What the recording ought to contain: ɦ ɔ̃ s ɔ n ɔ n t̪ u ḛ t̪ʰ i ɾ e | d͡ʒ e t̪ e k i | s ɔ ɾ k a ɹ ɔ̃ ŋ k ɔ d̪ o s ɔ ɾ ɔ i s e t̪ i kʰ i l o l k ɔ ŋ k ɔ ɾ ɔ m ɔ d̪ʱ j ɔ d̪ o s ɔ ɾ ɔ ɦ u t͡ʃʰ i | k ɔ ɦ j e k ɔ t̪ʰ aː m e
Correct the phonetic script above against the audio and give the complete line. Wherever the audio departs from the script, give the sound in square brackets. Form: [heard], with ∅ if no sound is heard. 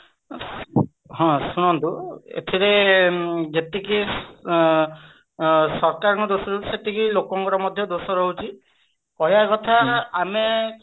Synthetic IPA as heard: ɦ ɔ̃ s [u] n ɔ n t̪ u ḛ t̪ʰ i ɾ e | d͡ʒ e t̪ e k i | s ɔ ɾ k a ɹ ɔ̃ ŋ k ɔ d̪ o s ɔ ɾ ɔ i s e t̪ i [k] i l o [∅] k ɔ ŋ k ɔ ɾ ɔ m ɔ d̪ʱ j ɔ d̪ o s ɔ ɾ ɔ ɦ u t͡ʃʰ i | k ɔ ɦ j [a] k ɔ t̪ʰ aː m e